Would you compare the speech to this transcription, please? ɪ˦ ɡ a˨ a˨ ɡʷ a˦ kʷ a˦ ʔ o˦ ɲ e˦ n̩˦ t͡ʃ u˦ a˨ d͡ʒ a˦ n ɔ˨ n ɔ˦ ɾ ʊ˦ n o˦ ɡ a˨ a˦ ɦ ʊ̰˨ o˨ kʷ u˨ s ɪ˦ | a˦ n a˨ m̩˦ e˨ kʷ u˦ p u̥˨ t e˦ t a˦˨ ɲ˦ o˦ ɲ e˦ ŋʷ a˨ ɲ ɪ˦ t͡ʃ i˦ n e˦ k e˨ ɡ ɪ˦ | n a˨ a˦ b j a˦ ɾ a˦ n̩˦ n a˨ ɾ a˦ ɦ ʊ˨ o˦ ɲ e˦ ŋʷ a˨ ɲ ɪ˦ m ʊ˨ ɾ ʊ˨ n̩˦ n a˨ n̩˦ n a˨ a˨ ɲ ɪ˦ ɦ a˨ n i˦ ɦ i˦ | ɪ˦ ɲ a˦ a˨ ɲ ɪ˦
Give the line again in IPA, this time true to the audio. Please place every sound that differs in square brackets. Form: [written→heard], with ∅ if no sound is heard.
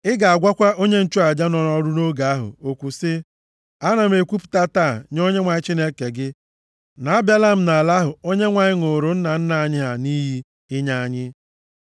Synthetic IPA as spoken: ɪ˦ ɡ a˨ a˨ ɡʷ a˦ kʷ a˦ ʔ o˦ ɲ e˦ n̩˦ t͡ʃ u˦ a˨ d͡ʒ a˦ n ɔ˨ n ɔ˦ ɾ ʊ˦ n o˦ ɡ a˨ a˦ ɦ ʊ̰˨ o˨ kʷ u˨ s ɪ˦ | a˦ n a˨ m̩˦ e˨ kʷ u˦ p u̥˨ t [e˦→a˦] t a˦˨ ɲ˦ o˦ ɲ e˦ ŋʷ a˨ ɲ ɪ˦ t͡ʃ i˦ n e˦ k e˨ ɡ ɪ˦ | n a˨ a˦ b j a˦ [ɾ→l] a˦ [n̩˦→m̩˦] n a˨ [ɾ→l] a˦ ɦ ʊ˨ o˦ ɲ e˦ ŋʷ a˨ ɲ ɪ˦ [m→ŋ] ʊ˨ ɾ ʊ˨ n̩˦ n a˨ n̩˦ n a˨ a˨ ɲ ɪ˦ ɦ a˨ n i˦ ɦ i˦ | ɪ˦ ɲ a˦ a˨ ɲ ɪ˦